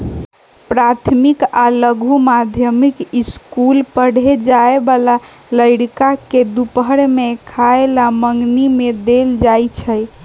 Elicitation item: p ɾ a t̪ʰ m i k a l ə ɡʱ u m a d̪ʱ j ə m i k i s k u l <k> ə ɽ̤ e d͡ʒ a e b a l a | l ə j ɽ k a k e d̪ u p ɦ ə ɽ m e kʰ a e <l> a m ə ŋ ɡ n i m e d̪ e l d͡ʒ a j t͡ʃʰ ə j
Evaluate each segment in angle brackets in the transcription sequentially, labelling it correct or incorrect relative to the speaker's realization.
incorrect: p, correct

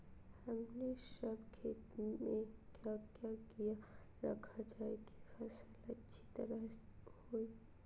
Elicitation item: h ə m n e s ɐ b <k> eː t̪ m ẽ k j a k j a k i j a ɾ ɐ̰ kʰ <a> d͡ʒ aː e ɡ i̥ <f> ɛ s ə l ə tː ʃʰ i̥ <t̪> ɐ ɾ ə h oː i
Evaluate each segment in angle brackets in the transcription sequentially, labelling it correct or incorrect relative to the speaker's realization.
incorrect: kʰ, correct, correct, correct

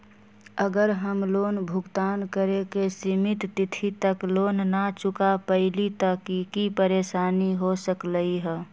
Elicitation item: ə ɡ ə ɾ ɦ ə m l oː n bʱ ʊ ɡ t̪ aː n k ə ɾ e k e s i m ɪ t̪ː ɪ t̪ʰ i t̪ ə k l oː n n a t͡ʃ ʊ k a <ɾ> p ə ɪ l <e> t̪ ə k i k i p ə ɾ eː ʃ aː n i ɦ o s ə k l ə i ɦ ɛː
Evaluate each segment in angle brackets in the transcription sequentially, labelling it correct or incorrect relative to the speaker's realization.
incorrect: none, incorrect: i

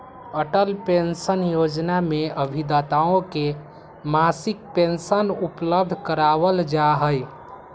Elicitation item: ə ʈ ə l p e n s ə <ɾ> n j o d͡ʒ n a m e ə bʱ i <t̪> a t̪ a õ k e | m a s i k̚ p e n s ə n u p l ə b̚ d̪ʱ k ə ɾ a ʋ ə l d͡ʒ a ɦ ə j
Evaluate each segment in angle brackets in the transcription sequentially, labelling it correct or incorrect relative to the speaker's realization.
incorrect: none, incorrect: d̪

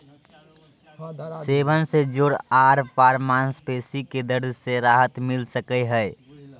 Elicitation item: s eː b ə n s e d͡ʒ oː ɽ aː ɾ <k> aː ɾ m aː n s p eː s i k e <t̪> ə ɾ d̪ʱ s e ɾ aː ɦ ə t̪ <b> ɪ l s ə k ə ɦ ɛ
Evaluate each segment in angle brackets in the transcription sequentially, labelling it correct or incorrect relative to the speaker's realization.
incorrect: p, incorrect: d̪, incorrect: m

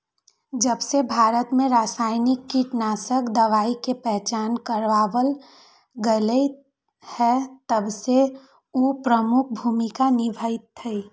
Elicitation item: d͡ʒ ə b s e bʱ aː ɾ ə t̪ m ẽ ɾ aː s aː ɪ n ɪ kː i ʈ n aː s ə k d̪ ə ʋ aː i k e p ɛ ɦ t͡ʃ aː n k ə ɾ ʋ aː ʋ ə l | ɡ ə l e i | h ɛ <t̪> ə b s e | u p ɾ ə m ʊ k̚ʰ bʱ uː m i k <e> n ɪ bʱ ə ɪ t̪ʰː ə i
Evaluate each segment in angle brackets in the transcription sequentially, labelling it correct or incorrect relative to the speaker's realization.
correct, incorrect: a

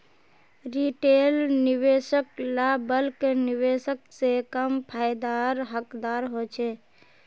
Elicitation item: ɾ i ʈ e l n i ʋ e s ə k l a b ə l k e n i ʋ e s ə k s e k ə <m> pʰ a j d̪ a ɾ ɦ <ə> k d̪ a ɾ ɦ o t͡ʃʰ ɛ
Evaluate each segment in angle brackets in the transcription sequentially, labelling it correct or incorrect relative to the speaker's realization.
correct, correct

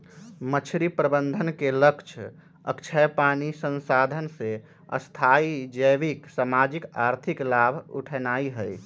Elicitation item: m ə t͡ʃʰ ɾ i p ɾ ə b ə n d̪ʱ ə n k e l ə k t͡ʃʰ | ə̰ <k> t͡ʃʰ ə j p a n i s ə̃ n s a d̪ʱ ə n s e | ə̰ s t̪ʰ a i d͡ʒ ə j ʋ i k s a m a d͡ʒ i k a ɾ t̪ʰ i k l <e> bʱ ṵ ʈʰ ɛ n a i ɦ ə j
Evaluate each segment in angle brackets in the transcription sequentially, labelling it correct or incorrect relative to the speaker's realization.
correct, incorrect: a

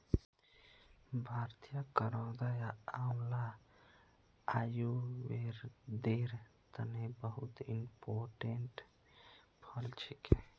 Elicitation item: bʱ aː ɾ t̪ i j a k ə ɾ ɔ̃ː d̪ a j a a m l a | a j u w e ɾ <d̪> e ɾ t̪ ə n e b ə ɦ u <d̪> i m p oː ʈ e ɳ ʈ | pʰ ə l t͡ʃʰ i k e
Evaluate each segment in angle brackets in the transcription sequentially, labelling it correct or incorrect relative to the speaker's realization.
correct, incorrect: t̪

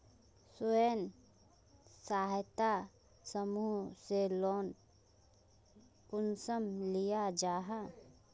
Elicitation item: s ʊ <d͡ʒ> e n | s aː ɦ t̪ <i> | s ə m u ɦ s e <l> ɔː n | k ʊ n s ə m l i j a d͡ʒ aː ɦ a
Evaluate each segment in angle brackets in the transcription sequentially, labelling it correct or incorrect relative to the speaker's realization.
incorrect: none, incorrect: a, correct

